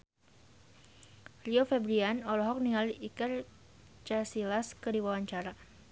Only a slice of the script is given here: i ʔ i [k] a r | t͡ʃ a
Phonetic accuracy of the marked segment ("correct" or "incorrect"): correct